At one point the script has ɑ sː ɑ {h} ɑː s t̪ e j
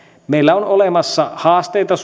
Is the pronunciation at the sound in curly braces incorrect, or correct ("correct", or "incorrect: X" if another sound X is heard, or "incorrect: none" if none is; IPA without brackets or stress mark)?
correct